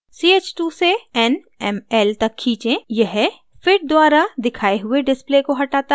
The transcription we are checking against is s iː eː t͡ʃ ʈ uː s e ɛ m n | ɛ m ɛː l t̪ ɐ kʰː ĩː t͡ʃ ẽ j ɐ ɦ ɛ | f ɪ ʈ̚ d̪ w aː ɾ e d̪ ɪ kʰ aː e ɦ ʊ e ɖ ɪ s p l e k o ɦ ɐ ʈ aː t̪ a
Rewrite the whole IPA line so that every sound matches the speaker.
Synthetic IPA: s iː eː t͡ʃ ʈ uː s e ɛ n | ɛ m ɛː l t̪ ɐ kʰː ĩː t͡ʃ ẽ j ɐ ɦ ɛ | f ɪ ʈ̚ d̪ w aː ɾ a d̪ ɪ kʰ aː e ɦ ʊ e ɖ ɪ s p l e k o ɦ ɐ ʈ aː t̪ a